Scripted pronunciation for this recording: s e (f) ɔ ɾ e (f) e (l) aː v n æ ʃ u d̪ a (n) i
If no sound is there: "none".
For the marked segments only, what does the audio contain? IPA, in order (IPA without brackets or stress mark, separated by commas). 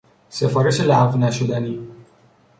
f, ʃ, l, n